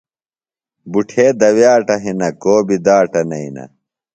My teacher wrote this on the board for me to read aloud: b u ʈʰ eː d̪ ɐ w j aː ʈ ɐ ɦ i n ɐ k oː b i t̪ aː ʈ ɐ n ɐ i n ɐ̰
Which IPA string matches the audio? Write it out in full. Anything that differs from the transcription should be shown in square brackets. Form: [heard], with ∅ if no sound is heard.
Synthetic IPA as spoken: b u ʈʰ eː d̪ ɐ w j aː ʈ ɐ ɦ i n ɐ k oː b i [d̪] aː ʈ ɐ n ɐ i n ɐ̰